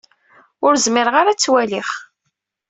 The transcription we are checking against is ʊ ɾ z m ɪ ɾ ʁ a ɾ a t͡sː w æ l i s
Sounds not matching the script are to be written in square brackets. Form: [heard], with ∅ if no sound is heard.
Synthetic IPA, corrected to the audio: ʊ ɾ z m ɪ ɾ ʁ a ɾ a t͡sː w æ l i [χ]